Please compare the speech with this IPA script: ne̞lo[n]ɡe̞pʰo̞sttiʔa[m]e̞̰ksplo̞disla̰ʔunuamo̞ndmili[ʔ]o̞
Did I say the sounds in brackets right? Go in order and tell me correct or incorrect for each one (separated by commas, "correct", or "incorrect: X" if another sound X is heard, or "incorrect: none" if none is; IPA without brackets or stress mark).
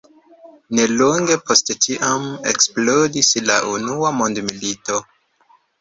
incorrect: ŋ, correct, incorrect: t